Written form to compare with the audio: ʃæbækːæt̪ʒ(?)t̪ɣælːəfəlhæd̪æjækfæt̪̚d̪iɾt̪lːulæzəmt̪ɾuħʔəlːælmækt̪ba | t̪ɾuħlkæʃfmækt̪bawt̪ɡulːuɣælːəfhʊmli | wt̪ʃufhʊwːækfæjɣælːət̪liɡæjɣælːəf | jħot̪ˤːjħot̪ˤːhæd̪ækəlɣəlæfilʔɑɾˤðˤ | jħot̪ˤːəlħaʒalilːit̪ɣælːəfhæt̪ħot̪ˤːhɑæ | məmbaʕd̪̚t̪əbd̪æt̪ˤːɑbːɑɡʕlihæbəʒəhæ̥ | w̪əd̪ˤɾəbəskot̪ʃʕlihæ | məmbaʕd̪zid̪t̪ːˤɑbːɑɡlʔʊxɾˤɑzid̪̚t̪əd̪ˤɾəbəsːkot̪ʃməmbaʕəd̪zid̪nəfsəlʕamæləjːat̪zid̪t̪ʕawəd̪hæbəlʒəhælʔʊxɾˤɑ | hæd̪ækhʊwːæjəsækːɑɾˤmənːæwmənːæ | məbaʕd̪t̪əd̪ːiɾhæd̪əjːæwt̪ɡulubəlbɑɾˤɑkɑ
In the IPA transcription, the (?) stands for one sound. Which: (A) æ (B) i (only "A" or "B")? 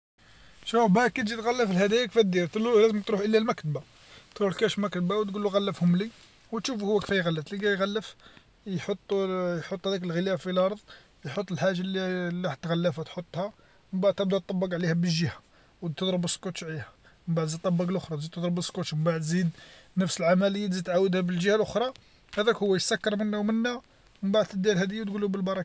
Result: B